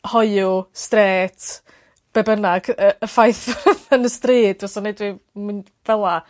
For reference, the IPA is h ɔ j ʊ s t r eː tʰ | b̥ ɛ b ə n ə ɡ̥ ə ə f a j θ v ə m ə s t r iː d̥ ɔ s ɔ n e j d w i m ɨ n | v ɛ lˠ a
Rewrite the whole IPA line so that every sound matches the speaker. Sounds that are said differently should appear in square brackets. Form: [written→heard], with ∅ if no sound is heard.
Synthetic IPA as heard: h ɔ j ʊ s t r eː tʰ | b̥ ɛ b ə n [ə→a] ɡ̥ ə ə f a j θ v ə [m→n] ə s t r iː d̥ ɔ s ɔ n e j d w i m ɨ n | v ɛ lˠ a